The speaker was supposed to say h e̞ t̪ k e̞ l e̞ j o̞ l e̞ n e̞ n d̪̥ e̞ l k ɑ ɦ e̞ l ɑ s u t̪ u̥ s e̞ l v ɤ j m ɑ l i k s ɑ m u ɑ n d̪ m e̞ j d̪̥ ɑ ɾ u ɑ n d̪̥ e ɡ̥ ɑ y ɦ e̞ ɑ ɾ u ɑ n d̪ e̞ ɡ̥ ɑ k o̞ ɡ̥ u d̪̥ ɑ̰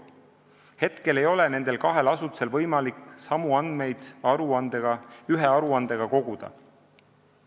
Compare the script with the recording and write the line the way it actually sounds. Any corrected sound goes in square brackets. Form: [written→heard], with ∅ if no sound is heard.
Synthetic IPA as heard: h e̞ t̪ k e̞ l e̞ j o̞ l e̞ n e̞ n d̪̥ e̞ l k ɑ ɦ e̞ l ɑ s u t̪ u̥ s e̞ l v ɤ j m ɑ l i k s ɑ m u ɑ n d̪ m e̞ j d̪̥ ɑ ɾ u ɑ n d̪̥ e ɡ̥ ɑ y ɦ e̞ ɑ ɾ u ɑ n d̪ e̞ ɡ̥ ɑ k o̞ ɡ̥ u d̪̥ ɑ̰